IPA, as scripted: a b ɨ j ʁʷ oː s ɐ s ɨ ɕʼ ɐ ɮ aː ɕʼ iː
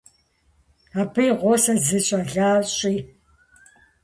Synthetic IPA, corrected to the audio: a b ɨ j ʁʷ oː s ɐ z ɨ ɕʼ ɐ ɮ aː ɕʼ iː